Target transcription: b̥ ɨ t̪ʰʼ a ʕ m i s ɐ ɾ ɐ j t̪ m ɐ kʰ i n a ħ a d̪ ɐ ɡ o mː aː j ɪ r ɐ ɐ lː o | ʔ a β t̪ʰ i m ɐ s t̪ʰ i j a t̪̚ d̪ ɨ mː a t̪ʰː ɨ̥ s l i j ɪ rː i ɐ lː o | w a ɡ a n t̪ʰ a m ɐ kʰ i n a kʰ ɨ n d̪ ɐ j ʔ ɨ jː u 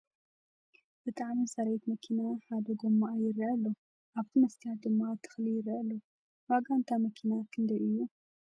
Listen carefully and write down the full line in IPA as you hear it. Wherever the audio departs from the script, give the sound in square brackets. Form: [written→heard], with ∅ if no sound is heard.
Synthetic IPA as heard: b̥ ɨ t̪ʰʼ a ʕ m i s ɐ ɾ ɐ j t̪ m ɐ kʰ i n a ħ a d̪ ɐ ɡ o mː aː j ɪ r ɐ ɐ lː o | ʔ a β t̪ʰ i m ɐ s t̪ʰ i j a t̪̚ d̪ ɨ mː a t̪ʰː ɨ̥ [s→x] l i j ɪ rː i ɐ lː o | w a ɡ a n t̪ʰ a m ɐ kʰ i n a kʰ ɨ n d̪ ɐ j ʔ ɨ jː u

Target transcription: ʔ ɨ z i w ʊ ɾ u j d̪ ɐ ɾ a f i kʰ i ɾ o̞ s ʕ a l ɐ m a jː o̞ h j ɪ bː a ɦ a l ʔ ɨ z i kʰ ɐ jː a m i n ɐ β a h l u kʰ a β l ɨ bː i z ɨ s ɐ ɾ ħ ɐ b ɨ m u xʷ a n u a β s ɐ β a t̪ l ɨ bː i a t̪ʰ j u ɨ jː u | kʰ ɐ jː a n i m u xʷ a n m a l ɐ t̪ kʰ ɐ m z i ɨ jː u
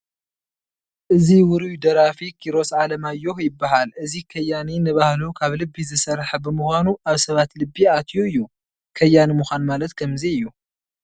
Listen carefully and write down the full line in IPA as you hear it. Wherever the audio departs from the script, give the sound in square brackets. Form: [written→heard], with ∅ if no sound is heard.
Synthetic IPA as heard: ʔ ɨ z i w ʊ ɾ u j d̪ ɐ ɾ a f i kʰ i ɾ o̞ s ʕ a l ɐ m a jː o̞ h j ɪ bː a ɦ a l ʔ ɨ z i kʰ ɐ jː a [m→n] i n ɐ β a h l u kʰ a β l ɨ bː i z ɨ s ɐ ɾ ħ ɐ b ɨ m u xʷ a n u a β s ɐ β a t̪ l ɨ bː i a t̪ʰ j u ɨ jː u | kʰ ɐ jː a n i m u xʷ a n m a l ɐ t̪ kʰ ɐ m z i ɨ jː u

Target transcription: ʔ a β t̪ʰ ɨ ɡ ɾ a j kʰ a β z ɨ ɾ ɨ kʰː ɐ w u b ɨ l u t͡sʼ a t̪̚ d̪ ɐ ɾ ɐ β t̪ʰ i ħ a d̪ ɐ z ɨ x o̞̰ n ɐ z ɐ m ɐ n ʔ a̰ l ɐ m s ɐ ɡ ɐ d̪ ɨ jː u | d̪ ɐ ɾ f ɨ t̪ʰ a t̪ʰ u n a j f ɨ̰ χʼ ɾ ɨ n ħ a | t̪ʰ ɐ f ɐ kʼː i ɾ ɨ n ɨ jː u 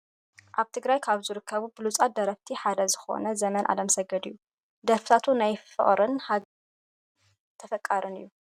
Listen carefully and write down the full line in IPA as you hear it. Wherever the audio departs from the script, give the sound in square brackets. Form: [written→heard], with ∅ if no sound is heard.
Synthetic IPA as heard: ʔ a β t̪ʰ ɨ ɡ ɾ a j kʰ a β z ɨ ɾ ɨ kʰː ɐ [w→β] u b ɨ l u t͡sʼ a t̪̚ d̪ ɐ ɾ ɐ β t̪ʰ i ħ a d̪ ɐ z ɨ x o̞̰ n ɐ z ɐ m ɐ n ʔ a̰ l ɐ m s ɐ ɡ ɐ d̪ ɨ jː u | d̪ ɐ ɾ f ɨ t̪ʰ a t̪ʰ u n a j f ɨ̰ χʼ ɾ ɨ n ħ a | t̪ʰ ɐ f ɐ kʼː [i→a] ɾ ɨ n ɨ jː u

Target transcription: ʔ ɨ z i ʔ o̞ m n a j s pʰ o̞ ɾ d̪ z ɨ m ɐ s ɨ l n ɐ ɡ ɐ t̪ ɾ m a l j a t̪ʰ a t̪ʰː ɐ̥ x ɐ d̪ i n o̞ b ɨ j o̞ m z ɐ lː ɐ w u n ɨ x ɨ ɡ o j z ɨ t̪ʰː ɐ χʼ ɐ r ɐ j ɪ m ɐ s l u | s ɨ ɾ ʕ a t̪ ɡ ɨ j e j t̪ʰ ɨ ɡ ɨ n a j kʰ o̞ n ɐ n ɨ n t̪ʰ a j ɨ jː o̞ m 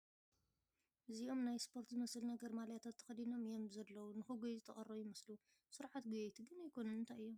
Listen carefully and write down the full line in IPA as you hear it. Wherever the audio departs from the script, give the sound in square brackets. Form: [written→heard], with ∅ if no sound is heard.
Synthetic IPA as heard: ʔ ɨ z i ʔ o̞ m n a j s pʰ o̞ ɾ [d̪→t̪] z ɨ m ɐ s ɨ l n ɐ ɡ ɐ [t̪→∅] ɾ m a l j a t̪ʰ a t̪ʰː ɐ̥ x ɐ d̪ i n o̞ [b→m] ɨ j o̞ m z ɐ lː ɐ w u n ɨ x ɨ ɡ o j z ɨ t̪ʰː ɐ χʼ ɐ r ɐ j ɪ m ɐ s l u | s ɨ ɾ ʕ a t̪ ɡ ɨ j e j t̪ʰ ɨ ɡ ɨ n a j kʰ o̞ n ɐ n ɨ n t̪ʰ a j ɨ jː o̞ m

